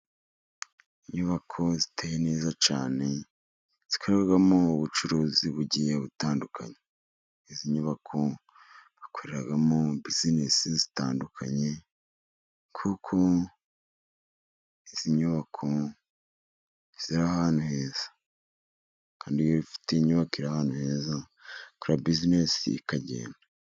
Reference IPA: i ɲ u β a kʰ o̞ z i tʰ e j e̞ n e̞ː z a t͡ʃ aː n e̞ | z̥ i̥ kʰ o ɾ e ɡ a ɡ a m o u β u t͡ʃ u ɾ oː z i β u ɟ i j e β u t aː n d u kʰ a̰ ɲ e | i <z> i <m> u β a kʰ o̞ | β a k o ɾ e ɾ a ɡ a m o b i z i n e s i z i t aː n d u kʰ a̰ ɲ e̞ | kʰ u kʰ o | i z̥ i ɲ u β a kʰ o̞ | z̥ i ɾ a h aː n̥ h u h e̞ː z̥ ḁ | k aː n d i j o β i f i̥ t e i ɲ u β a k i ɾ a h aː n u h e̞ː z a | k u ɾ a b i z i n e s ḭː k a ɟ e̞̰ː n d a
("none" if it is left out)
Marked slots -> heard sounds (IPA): z, ɲ

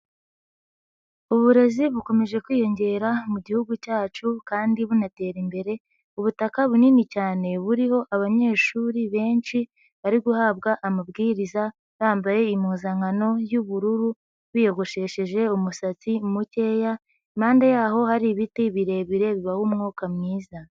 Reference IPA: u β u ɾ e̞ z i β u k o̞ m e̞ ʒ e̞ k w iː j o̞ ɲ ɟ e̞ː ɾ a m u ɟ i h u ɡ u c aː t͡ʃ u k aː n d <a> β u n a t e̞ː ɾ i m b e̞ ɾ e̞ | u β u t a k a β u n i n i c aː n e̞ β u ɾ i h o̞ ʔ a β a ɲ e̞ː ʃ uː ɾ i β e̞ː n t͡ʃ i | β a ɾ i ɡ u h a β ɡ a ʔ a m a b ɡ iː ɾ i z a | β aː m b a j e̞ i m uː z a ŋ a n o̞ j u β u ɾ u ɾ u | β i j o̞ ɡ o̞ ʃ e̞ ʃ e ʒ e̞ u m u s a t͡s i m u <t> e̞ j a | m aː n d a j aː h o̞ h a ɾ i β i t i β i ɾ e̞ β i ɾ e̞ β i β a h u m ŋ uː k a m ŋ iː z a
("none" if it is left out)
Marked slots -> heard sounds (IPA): i, c

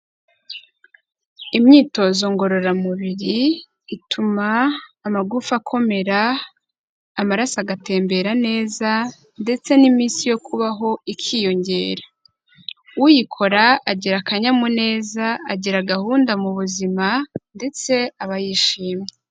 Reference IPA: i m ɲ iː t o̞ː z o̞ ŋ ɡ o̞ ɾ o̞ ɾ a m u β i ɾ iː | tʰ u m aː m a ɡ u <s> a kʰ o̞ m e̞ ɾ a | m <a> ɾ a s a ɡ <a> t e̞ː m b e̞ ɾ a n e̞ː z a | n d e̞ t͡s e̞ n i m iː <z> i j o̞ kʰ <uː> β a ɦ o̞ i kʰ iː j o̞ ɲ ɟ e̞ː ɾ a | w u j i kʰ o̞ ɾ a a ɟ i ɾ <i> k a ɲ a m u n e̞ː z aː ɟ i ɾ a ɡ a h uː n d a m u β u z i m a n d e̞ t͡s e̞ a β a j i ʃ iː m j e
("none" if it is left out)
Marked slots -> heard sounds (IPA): f, a, a, s, u, a

